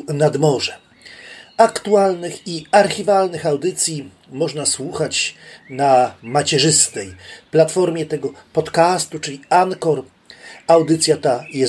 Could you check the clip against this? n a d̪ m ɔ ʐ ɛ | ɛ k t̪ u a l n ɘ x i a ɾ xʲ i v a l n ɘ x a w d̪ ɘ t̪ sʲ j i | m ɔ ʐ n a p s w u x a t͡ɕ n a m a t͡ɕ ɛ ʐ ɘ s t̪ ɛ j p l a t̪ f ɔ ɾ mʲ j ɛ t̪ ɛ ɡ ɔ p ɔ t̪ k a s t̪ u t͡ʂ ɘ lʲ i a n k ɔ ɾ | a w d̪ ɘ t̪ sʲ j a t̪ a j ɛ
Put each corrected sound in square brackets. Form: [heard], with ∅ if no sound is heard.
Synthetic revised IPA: n a d̪ m ɔ ʐ ɛ | [a] k t̪ u a l n ɘ x i a ɾ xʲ i v a l n ɘ x a w d̪ ɘ t̪ sʲ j i | m ɔ ʐ n a [∅] s w u x a t͡ɕ n a m a t͡ɕ ɛ ʐ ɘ s t̪ ɛ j p l a t̪ f ɔ ɾ mʲ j ɛ t̪ ɛ ɡ ɔ p ɔ t̪ k a s t̪ u t͡ʂ ɘ lʲ i a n k ɔ ɾ | a w d̪ ɘ t̪ sʲ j a t̪ a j ɛ